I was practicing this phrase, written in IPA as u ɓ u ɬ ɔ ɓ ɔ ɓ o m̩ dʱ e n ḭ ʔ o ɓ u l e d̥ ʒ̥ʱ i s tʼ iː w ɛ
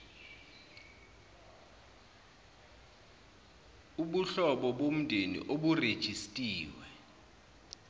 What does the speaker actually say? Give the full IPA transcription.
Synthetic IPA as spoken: u ɓ u ɬ ɔ ɓ ɔ ɓ o m̩ dʱ e n ḭ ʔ o ɓ u r e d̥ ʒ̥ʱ i s tʼ iː w ɛ